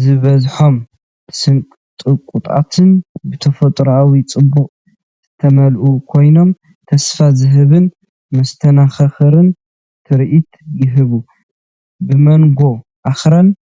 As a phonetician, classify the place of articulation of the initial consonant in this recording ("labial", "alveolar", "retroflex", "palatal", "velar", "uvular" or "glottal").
alveolar